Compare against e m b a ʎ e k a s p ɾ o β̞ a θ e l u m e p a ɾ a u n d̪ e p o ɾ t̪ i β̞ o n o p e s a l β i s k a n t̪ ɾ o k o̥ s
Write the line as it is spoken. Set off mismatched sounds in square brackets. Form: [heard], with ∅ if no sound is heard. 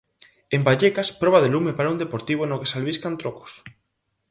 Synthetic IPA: e m b a ʎ e k a s p ɾ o β̞ a [ð] e l u m e p a ɾ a u n d̪ e p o ɾ t̪ i β̞ o n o [k] e s a l β i s k a n t̪ ɾ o k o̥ s